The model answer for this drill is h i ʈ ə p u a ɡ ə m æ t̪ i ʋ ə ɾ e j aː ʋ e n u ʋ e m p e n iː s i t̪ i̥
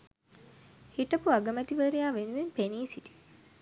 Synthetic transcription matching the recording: h i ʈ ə p u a ɡ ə m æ t̪ i ʋ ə ɾ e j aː ʋ e n u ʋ e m p e n iː s i t̪ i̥

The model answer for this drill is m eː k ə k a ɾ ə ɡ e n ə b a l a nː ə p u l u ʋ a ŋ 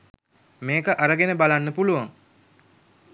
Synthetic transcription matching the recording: m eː k ə ʔ a ɾ ə ɡ e n ə b a l a nː ə p u l u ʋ a ŋ

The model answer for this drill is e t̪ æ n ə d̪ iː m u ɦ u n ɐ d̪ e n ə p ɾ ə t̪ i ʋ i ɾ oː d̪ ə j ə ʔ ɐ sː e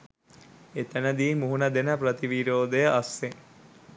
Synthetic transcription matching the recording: e t̪ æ n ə d̪ iː m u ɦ u n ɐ d̪ e n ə p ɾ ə t̪ i ʋ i ɾ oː d̪ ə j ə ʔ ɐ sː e

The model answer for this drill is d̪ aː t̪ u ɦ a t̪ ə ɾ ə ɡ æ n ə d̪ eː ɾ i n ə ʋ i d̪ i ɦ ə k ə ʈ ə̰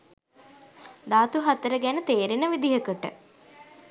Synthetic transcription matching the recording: d̪ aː t̪ u ɦ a t̪ ə ɾ ə ɡ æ n ə t̪ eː ɾ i n ə ʋ i d̪ i ɦ ə k ə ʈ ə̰

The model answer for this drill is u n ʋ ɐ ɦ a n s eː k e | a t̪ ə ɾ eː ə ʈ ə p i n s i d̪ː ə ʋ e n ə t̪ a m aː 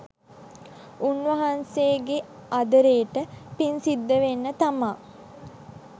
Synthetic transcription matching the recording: u n ʋ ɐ ɦ a n s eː ɡ e | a d̪ ə ɾ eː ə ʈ ə p i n s i d̪ː ə ʋ e nː ə t̪ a m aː

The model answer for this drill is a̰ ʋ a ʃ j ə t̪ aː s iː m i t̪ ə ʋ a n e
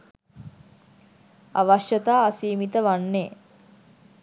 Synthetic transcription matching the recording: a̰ ʋ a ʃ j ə t̪ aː s iː m i t̪ ə ʋ a nː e

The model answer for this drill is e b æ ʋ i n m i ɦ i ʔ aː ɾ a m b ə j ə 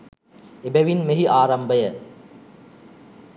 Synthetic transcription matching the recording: e b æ ʋ i n m e ɦ i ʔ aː ɾ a m b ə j ə

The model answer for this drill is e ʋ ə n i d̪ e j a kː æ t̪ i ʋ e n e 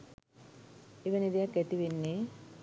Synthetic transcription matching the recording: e ʋ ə n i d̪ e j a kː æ t̪ i ʋ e nː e

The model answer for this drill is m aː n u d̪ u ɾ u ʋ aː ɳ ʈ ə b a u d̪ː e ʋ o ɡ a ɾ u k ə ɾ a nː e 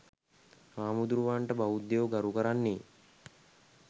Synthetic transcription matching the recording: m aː m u d̪ u ɾ u ʋ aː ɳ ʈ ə b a u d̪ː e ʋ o ɡ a ɾ u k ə ɾ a nː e

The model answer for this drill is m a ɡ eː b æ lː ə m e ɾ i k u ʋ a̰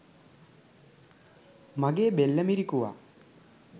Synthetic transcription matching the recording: m a ɡ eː b e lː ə m i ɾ i k u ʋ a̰

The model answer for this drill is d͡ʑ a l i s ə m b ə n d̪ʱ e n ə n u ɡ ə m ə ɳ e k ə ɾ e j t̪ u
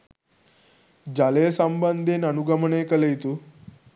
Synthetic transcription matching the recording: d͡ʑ a l e s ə m b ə n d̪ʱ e n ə n u ɡ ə m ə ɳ e k ə l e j t̪ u

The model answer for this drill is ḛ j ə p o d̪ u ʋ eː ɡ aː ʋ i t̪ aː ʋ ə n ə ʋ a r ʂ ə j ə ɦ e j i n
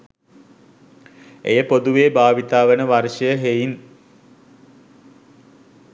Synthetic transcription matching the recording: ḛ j ə p o d̪ u ʋ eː b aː ʋ i t̪ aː ʋ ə n ə ʋ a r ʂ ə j ə ɦ e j i n

